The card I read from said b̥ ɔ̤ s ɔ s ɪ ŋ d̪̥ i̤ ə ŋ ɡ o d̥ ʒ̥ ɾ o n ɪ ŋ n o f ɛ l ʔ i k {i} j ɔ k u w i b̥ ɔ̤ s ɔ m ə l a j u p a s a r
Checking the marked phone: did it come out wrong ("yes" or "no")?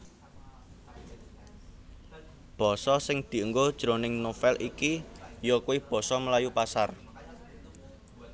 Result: no